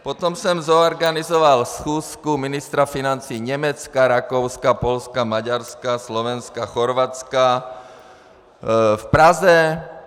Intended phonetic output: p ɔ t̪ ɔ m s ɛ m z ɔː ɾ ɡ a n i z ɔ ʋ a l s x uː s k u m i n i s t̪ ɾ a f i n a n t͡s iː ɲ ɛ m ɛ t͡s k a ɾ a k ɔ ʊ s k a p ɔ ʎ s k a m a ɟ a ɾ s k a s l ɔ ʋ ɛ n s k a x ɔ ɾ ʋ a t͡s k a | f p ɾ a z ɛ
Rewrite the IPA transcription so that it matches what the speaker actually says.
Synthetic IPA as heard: p ɔ t̪ ɔ m s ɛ m z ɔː ɾ ɡ a n i z ɔ ʋ a l s x uː s k u m i n i s t̪ ɾ a f i n a n t͡s iː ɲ ɛ m ɛ t͡s k a ɾ a k ɔ ʊ s k a p ɔ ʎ s k a m a ɟ a ɾ s k a s l ɔ ʋ ɛ n s k a x ɔ ɾ ʋ a t͡s k a | f p ɾ a z ɛ

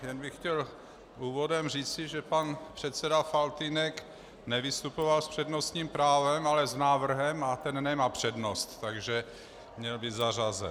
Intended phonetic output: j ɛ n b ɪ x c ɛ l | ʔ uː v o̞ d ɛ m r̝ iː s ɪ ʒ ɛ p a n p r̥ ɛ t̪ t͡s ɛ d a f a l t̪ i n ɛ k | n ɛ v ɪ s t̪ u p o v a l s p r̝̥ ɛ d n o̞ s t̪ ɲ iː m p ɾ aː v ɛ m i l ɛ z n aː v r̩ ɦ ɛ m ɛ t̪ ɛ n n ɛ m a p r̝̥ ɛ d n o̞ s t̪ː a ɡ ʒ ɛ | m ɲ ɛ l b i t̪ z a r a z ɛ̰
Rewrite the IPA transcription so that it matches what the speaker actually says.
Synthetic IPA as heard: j ɛ n b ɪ x c ɛ l | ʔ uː v o̞ d ɛ m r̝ iː t͡s ɪ ʒ ɛ p a n p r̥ ɛ t̪ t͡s ɛ d a f a l t̪ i n ɛ k | n ɛ v ɪ s t̪ u p o v a l s p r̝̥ ɛ d n o̞ s t̪ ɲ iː m p ɾ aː v ɛ m a l ɛ z n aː v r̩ ɦ ɛ m a t̪ ɛ n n ɛ m a p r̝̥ ɛ d n o̞ s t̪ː a ɡ ʒ ɛ | m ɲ ɛ l b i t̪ z a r a z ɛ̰

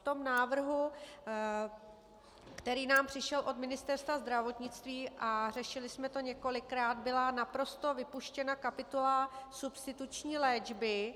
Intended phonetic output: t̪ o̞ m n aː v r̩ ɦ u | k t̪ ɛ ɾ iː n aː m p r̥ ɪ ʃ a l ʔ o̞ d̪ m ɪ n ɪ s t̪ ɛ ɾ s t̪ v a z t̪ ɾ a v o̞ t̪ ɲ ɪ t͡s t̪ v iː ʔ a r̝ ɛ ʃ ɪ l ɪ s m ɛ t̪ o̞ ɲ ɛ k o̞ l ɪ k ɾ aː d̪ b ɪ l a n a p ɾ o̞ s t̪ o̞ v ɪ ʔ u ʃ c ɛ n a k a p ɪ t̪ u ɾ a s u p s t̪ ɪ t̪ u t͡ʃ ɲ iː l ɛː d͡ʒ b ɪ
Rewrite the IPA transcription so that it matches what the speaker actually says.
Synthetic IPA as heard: t̪ o̞ m n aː v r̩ ɦ u | k t̪ ɛ ɾ iː n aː m p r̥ ɪ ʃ ɛ l ʔ o̞ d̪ m ɪ n ɪ s t̪ ɛ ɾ s t̪ v a z d̪ ɾ a v o̞ t̪ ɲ ɪ t͡s t̪ v iː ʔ a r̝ ɛ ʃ ɪ l ɪ s m ɛ t̪ o̞ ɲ ɛ k o̞ l ɪ k ɾ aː d̪ b ɪ l a n a p ɾ o̞ s t̪ o̞ v ɪ p u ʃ c ɛ n a k a p ɪ t̪ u l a s u p s t̪ ɪ t̪ u t͡ʃ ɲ iː l ɛː d͡ʒ b ɪ

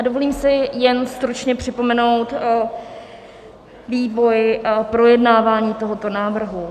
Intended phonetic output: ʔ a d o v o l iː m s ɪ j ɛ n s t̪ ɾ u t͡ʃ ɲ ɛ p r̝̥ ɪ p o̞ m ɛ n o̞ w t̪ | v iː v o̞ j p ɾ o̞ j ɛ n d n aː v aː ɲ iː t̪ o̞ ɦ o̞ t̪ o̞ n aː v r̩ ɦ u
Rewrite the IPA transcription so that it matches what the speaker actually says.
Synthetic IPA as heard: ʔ a d o v o l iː m s ɪ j ɛ n s t̪ ɾ u t͡ʃ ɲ ɛ p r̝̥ ɪ p o̞ m ɛ n o̞ w t̪ | v iː v o̞ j p ɾ o̞ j ɛ d n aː v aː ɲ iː t̪ o̞ ɦ o̞ t̪ o̞ n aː v r̩ ɦ u

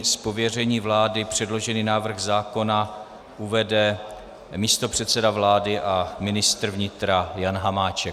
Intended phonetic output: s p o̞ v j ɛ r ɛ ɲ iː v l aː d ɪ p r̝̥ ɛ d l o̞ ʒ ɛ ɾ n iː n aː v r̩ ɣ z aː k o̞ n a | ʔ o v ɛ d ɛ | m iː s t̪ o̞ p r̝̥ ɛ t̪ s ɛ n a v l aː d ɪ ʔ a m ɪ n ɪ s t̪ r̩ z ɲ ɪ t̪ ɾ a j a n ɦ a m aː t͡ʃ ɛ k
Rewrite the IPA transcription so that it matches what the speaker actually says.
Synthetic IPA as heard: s p o̞ v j ɛ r ɛ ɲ iː v l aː d ɪ p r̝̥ ɛ d l o̞ ʒ ɛ n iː n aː v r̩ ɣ z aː k o̞ n a | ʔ u v ɛ d ɛ | m iː s t̪ o̞ p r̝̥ ɛ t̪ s ɛ d a v l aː d ɪ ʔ a m ɪ n ɪ s t̪ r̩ v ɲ ɪ t̪ ɾ a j a n ɦ a m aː t͡ʃ ɛ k

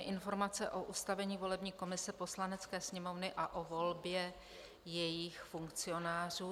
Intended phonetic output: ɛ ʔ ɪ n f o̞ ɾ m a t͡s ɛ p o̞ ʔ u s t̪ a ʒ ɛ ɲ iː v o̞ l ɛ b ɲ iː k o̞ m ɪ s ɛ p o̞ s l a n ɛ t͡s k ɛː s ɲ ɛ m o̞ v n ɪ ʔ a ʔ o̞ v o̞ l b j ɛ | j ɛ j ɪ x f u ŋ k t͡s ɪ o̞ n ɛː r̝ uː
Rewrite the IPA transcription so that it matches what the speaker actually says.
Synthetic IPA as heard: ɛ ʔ ɪ n f o̞ ɾ m a t͡s ɛ ʔ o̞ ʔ u s t̪ a v ɛ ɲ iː v o̞ l ɛ b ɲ iː k o̞ m ɪ s ɛ p o̞ s l a n ɛ t͡s k ɛː s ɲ ɛ m o̞ v n ɪ ʔ a ʔ o̞ v o̞ l b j ɛ | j ɛ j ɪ x f u ŋ k t͡s ɪ o̞ n aː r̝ uː

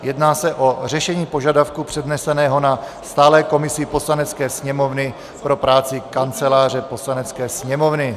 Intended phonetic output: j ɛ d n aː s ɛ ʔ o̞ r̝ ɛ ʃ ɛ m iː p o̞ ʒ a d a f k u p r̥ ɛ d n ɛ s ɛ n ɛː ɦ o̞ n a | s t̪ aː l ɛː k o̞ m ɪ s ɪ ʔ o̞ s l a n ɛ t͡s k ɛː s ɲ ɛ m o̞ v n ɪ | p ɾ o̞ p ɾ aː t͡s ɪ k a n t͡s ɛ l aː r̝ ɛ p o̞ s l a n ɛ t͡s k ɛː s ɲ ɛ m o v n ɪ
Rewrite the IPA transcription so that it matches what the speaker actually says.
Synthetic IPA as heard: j ɛ d n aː s ɛ ʔ o̞ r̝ ɛ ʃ ɛ ɲ iː p o̞ ʒ a d a f k u p r̥ ɛ d n ɛ s ɛ n ɛː ɦ o̞ n a | s t̪ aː l ɛː k o̞ m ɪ s ɪ p o̞ s l a n ɛ t͡s k ɛː s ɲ ɛ m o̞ v n ɪ | p ɾ o̞ p ɾ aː t͡s ɪ k a n t͡s ɛ l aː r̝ ɛ p o̞ s l a n ɛ t͡s k ɛː s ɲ ɛ m o v n ɪ

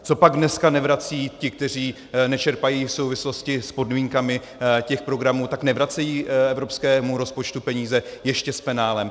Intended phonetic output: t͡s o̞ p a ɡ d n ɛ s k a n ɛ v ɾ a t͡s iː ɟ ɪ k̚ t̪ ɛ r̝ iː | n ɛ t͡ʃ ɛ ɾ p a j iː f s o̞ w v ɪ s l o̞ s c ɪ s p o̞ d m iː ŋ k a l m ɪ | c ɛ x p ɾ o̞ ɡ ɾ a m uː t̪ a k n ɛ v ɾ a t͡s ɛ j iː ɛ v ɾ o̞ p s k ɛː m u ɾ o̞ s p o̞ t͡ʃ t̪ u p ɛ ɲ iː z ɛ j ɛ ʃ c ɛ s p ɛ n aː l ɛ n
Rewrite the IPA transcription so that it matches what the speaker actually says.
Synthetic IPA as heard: t͡s o̞ p a ɡ d n ɛ s k a n ɛ v ɾ a t͡s iː c ɪ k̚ t̪ ɛ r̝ iː | n ɛ t͡ʃ ɛ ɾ p a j iː f s o̞ w v ɪ s l o̞ s c ɪ s p o̞ d m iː ŋ k a m ɪ | c ɛ x p ɾ o̞ ɡ ɾ a m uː t̪ a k n ɛ v ɾ a t͡s ɛ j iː ɛ v ɾ o̞ p s k ɛː m u ɾ o̞ s p o̞ t͡ʃ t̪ u p ɛ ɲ iː z ɛ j ɛ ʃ c ɛ s p ɛ n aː l ɛ m

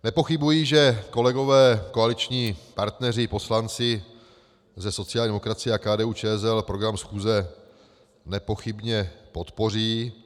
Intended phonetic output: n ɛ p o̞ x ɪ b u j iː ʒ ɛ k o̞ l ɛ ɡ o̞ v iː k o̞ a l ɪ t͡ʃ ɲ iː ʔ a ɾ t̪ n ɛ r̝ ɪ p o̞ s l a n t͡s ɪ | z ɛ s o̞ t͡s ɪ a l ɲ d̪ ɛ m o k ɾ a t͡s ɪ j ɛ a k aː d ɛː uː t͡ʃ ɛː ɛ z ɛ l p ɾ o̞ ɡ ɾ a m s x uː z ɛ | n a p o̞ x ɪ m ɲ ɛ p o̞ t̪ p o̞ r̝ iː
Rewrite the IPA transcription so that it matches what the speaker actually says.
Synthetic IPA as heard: n ɛ p o̞ x ɪ b u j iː ʒ ɛ k o̞ l ɛ ɡ o̞ v ɛː k o̞ a l ɪ t͡ʃ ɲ iː p a ɾ t̪ n ɛ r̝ ɪ p o̞ s l a n t͡s ɪ | z ɛ s o̞ t͡s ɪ a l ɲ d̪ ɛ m o k ɾ a t͡s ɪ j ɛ a k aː d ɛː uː t͡ʃ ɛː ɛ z ɛ l p ɾ o̞ ɡ ɾ a m s x uː z ɛ | n ɛ p o̞ x ɪ b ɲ ɛ p o̞ t̪ p o̞ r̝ iː

